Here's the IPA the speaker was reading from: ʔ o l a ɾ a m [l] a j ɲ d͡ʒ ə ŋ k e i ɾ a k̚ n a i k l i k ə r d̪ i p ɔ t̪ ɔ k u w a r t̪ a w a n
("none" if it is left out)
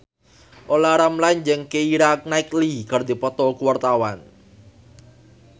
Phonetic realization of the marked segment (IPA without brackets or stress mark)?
l